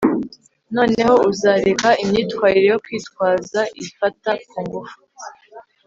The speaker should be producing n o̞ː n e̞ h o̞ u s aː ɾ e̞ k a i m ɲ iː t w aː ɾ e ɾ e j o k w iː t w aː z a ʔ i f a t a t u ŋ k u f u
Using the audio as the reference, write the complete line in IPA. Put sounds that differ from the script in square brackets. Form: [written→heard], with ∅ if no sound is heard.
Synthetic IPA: n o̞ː n e̞ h o̞ u [s→z] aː ɾ e̞ k a i m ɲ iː t w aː ɾ [e→i] ɾ e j o k w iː t w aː z a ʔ i f a t a [t→k] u ŋ [k→ɡ] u f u